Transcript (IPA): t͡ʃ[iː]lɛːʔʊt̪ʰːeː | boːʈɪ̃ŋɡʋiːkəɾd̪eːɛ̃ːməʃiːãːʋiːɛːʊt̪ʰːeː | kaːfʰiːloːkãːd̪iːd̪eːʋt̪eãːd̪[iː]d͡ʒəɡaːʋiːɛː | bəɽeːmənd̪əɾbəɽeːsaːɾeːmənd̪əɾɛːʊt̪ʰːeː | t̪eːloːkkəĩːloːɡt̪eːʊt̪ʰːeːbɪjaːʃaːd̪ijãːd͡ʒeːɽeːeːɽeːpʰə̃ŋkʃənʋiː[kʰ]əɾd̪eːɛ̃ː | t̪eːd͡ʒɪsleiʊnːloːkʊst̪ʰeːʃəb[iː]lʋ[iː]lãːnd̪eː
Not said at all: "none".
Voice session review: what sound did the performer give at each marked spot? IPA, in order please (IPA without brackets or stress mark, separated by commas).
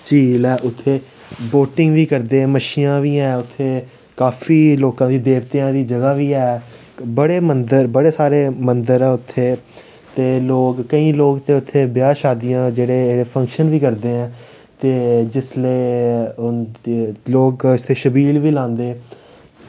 iː, iː, k, iː, iː